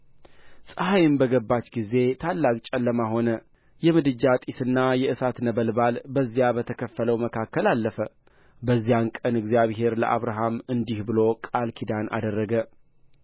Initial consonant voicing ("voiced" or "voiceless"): voiceless